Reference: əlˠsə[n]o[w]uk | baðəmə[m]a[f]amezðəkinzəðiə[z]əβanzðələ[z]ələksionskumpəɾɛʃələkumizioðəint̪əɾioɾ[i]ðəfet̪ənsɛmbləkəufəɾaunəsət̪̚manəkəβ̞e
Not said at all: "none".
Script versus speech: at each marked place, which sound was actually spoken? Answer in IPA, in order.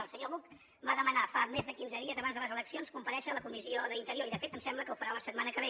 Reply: ɲ, β, n, f, z, z, i

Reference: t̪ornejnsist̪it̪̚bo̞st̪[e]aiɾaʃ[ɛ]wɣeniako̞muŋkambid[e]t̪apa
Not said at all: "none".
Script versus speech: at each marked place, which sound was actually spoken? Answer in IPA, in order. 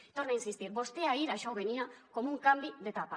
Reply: e, a, e

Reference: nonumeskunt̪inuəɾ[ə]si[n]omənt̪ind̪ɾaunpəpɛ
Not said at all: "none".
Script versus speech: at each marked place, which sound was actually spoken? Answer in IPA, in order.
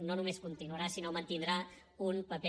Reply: a, n

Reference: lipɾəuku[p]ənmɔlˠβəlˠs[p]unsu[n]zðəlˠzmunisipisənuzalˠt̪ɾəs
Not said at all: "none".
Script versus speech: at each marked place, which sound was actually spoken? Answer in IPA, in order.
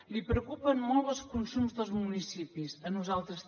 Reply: p, k, m

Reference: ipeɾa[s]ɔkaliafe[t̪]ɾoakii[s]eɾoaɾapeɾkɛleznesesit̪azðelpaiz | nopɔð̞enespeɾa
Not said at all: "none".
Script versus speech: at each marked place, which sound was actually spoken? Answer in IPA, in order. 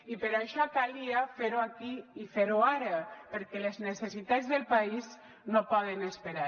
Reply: ʃ, none, f

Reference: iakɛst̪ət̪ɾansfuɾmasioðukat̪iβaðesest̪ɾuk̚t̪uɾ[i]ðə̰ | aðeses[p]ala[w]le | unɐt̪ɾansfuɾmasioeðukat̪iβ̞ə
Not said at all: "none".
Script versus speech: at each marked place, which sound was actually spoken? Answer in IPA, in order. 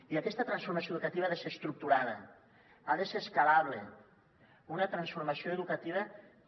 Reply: a, k, β

